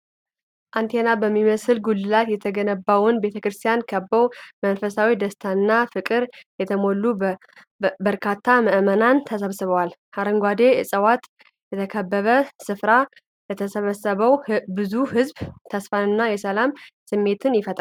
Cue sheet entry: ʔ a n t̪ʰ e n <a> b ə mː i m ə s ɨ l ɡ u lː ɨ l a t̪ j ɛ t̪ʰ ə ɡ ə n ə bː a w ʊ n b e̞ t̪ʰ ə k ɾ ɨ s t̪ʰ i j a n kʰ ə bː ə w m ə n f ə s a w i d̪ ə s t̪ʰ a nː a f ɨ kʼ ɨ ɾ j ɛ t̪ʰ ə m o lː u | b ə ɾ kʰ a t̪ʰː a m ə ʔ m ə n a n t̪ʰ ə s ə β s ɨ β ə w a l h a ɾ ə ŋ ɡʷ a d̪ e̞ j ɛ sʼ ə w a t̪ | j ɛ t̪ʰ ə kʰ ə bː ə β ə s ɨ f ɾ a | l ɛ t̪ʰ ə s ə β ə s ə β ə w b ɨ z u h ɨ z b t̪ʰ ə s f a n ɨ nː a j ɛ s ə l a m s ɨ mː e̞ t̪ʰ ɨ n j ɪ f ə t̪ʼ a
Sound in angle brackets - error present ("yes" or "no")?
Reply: no